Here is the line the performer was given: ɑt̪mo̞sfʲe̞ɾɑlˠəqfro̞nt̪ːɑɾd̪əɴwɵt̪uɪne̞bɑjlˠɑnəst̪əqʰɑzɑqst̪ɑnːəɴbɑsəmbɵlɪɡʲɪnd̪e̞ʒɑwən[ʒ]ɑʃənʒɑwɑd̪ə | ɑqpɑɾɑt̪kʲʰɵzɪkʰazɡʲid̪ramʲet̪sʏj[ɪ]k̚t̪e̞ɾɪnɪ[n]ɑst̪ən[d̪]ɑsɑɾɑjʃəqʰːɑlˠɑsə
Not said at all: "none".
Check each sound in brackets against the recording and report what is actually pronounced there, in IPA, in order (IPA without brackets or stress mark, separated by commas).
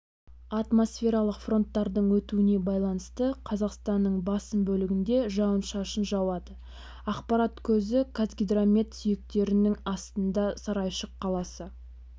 ʃ, ɪ, ŋ, d̪